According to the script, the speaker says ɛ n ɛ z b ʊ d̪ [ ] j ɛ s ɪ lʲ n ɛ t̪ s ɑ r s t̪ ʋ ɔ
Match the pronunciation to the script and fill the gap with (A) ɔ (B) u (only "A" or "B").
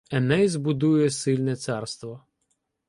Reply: B